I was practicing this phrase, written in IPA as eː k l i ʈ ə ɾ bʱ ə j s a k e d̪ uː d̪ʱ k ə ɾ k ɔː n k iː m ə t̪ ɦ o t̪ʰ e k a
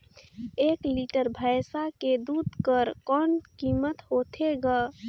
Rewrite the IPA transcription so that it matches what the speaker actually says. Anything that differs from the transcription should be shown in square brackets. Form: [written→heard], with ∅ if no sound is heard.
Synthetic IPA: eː k l i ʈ ə ɾ bʱ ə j s a k e d̪ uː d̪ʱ k ə ɾ k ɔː n k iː m ə t̪ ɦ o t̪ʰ e [k→ɡ] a

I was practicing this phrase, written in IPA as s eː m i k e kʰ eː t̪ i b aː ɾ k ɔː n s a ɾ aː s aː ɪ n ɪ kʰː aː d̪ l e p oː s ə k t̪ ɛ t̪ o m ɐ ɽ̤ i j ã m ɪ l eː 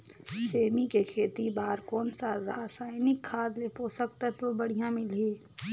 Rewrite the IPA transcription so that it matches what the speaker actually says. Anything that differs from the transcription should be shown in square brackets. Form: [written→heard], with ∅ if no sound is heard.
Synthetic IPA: s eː m i k e kʰ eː t̪ i b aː ɾ k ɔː n s a ɾ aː s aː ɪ n ɪ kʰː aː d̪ l e p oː s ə k t̪ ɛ t̪ o [m→b] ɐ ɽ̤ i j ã m ɪ l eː

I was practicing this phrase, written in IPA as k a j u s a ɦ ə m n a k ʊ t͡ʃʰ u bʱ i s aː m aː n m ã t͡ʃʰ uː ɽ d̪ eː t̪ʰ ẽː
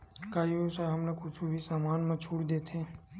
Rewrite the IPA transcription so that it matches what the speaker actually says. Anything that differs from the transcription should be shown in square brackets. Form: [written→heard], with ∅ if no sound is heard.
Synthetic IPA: k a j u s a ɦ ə m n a k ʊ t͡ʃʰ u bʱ i s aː m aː n m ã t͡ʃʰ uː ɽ d̪ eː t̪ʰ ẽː

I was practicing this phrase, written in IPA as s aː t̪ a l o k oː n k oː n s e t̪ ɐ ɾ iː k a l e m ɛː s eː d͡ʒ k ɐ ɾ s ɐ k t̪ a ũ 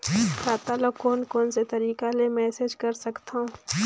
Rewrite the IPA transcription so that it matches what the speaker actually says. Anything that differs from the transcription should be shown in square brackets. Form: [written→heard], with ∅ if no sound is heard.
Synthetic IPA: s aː t̪ a l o k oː n k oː n s e t̪ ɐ ɾ iː k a l e m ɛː s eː d͡ʒ k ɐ ɾ s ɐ k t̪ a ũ

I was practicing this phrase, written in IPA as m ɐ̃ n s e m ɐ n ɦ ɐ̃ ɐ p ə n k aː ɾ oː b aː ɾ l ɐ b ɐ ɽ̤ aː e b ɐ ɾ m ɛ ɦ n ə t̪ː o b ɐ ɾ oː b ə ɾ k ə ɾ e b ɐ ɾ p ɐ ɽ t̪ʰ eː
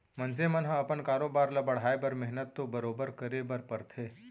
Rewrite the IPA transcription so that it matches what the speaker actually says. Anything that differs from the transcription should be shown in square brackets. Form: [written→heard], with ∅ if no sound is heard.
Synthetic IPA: m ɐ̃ n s e m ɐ n ɦ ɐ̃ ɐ p ə n k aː ɾ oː b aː ɾ l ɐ b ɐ ɽ̤ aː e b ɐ ɾ m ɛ ɦ n ə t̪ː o b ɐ ɾ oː b ə ɾ k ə ɾ e b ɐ ɾ p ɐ [ɽ→ɾ] t̪ʰ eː

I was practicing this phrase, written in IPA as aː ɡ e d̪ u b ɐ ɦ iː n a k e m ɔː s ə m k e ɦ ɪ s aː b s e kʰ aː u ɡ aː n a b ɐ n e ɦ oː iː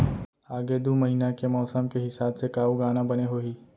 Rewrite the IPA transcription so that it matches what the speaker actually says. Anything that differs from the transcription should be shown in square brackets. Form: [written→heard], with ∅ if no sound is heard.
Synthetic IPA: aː ɡ e d̪ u [b→m] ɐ ɦ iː n a k e m ɔː s ə m k e ɦ ɪ s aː b s e [kʰ→k] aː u ɡ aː n a b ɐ n e ɦ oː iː

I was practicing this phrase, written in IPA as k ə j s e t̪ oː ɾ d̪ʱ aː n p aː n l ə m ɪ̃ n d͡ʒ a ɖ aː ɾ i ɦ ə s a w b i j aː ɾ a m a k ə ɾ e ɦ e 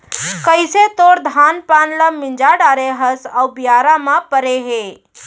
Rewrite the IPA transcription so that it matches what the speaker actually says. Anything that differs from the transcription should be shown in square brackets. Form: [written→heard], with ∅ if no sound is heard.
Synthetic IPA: k ə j s e t̪ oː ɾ d̪ʱ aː n p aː n l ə m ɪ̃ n d͡ʒ a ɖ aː ɾ [i→e] ɦ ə s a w b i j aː ɾ a m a [k→p] ə ɾ e ɦ e

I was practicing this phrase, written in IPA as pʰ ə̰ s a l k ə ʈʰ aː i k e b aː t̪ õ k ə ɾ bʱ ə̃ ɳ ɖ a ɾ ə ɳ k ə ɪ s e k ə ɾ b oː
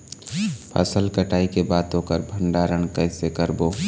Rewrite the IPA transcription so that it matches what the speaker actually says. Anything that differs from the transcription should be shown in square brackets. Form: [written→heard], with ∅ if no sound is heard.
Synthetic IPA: pʰ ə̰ s [a→ə] l k ə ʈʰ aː i k e b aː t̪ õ k ə ɾ bʱ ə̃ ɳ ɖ a ɾ ə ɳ k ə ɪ s e k ə ɾ b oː

